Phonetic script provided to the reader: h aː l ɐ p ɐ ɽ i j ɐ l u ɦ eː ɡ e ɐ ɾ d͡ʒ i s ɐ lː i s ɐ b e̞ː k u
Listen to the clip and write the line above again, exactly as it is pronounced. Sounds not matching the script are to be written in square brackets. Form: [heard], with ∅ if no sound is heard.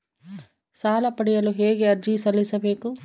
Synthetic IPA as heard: [s] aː l ɐ p ɐ ɽ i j ɐ l u ɦ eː ɡ e ɐ ɾ d͡ʒ i s ɐ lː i s ɐ b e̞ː k u